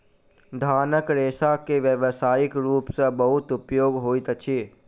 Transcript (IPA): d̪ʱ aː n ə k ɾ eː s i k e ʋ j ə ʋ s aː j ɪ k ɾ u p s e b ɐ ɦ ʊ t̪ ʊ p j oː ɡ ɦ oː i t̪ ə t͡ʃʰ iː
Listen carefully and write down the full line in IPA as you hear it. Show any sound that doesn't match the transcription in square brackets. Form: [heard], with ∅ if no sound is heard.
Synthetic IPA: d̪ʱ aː n ə k ɾ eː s [a] k e ʋ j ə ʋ s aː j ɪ k ɾ [uː] p s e b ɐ ɦ ʊ t̪ ʊ p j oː ɡ ɦ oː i t̪ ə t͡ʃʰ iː